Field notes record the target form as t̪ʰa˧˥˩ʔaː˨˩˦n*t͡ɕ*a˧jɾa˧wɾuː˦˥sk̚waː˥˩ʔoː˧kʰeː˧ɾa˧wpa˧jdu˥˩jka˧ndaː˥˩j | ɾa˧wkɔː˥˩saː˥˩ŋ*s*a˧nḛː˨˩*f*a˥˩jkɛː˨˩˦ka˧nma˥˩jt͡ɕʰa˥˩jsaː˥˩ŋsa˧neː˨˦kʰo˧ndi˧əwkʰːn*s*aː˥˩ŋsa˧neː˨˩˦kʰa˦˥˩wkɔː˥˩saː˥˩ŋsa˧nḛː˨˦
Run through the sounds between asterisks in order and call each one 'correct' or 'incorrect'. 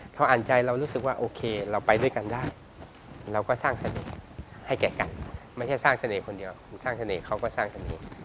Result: correct, correct, incorrect, correct

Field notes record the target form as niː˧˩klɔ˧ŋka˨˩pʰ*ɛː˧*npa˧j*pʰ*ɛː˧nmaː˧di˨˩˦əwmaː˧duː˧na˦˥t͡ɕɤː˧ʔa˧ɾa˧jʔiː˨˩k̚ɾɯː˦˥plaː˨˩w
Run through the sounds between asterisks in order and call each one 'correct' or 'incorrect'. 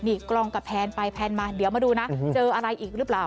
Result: correct, correct

